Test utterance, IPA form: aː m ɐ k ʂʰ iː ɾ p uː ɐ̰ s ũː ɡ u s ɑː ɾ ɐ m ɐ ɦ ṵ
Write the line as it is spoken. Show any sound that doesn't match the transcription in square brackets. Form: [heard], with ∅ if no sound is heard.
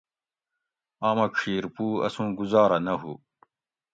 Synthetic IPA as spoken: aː m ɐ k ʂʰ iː ɾ p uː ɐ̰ s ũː ɡ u [z] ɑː ɾ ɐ [n] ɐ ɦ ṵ